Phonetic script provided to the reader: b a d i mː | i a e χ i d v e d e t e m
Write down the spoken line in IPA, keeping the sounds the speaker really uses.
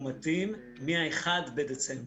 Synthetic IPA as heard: m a t i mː | i a e χ a d b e d e t͡s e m